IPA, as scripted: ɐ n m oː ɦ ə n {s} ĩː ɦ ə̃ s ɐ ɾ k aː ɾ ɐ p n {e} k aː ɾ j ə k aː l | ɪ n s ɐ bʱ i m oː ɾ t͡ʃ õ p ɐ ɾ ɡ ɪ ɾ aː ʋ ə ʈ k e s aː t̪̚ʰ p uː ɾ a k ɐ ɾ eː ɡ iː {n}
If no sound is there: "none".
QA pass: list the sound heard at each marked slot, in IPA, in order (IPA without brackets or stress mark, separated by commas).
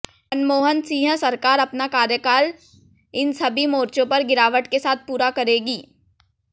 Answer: s, a, none